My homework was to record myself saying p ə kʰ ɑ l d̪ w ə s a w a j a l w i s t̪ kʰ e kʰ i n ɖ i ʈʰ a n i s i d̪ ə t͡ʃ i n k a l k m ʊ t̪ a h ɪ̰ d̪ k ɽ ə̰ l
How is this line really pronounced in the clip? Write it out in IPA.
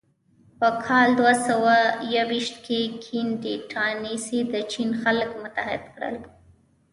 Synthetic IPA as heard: p ə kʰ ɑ l d̪ w a s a w a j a w i ʃ t̪ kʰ e kʰ i n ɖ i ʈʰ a n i s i d̪ ə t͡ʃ i n x a l k m ʊ t̪ a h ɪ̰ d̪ k ɽ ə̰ l